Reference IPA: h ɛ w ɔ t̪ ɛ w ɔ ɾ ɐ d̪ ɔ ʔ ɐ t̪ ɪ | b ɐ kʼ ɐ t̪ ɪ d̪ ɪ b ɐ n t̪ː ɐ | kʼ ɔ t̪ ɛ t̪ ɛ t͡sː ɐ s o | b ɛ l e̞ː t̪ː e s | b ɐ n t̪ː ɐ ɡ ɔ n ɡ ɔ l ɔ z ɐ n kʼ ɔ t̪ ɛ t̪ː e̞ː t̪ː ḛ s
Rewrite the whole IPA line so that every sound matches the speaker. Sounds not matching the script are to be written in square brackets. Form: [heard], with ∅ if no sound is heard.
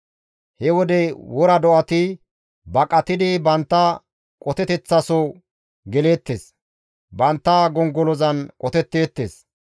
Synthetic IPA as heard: h ɛ w ɔ [d̪] ɛ w ɔ ɾ ɐ d̪ ɔ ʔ ɐ t̪ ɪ | b ɐ kʼ ɐ t̪ ɪ d̪ ɪ b ɐ n t̪ː ɐ | kʼ ɔ t̪ ɛ t̪ ɛ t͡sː ɐ s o | [ɡ] ɛ l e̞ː t̪ː e s | b ɐ n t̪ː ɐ ɡ ɔ [ŋ] ɡ ɔ l ɔ z ɐ n kʼ ɔ t̪ ɛ t̪ː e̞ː t̪ː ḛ s